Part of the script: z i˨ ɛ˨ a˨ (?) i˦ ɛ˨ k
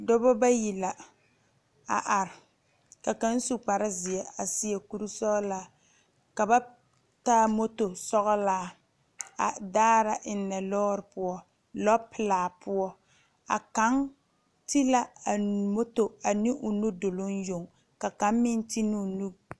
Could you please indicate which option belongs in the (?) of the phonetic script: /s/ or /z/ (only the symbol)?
s